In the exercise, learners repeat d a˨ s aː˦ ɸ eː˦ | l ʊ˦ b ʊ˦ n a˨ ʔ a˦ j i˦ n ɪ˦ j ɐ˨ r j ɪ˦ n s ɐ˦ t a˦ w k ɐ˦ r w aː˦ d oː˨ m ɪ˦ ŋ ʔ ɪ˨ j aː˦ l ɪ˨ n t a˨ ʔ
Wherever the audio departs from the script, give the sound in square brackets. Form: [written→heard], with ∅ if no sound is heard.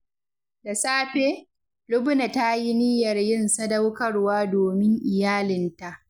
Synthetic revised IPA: d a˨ s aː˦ ɸ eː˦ | l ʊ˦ b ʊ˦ n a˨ [ʔ→t] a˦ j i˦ n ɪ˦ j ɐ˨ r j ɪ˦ n s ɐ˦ [t→d] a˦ w k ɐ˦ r w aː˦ d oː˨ m ɪ˦ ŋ ʔ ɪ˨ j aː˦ l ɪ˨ n t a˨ ʔ